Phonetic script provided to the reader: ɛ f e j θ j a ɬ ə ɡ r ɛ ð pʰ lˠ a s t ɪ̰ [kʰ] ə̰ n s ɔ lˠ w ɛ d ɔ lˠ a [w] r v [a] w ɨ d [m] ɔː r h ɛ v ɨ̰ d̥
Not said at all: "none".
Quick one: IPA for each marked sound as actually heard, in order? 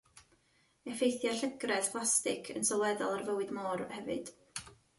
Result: kʰ, none, ə, m

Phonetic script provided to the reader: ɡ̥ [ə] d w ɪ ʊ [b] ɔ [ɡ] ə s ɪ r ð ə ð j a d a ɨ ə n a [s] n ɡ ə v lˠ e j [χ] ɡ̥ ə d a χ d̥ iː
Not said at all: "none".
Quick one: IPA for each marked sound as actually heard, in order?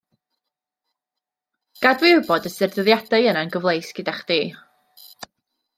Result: a, b, d, none, s

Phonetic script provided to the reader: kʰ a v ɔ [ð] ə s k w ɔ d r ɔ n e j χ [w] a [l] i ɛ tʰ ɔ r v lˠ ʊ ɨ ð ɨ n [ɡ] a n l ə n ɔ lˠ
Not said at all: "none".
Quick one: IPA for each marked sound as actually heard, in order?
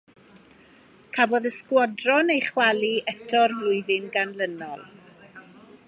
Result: ð, w, l, ɡ

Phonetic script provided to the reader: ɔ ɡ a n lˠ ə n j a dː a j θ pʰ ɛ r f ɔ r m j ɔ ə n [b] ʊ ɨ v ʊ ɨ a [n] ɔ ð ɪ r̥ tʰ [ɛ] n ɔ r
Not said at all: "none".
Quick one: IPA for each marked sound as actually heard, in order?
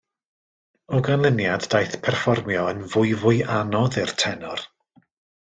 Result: v, n, ɛ

